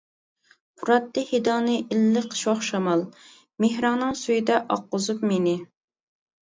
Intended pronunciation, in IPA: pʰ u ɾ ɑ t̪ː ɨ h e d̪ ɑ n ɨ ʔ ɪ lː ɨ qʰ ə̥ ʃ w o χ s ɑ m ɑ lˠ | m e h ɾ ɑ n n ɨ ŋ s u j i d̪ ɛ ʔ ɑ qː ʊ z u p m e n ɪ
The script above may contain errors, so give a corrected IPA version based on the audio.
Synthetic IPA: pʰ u ɾ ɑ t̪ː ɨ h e d̪ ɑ n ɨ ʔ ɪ lː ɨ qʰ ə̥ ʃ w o χ ʃ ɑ m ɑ lˠ | m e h ɾ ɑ ŋ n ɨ ŋ s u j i d̪ ɛ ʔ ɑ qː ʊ z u p m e n ɪ